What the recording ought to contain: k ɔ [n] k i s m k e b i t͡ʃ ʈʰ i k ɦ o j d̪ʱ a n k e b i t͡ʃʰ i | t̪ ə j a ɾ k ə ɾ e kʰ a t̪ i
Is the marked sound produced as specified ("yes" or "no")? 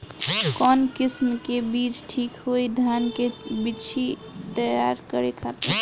yes